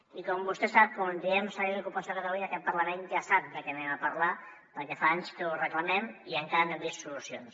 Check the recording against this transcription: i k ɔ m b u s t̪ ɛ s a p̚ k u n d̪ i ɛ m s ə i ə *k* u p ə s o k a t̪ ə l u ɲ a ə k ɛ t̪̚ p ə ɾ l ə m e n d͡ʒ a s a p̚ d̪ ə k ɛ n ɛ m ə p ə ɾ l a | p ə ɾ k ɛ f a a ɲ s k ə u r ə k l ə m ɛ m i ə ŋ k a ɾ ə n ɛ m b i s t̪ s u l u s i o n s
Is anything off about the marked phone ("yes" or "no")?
no